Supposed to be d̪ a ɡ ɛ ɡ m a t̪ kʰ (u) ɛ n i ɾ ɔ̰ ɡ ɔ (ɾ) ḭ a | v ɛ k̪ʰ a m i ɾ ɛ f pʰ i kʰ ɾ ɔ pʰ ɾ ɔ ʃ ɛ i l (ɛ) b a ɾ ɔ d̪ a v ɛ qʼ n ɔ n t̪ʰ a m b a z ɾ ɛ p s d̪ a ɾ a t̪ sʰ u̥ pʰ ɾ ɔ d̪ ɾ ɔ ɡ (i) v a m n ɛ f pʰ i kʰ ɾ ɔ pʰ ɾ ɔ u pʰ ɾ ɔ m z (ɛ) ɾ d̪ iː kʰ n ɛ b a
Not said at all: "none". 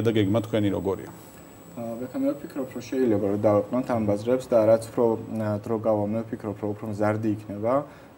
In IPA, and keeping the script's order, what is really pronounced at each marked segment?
w, ɾ, ɛ, a, a

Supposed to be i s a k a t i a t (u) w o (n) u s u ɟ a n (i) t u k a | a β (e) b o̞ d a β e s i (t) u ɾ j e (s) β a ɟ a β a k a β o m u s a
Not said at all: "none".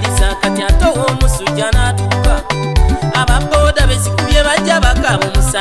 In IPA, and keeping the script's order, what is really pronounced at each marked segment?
o, m, a, a, k, none

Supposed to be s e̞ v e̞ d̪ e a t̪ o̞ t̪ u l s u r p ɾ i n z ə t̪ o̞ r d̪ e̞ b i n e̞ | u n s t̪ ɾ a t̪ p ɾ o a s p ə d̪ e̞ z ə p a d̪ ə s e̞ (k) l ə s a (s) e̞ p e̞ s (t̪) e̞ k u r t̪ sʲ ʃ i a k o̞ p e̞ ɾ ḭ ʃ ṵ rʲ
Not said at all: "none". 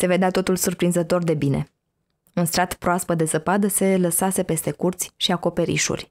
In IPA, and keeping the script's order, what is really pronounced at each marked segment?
none, s, t̪

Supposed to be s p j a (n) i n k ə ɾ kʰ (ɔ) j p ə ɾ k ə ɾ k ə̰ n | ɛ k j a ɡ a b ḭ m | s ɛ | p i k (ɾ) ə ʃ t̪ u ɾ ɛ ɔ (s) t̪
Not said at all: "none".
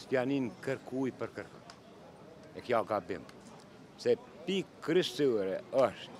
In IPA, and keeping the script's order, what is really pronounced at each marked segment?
n, u, ɾ, ʃ

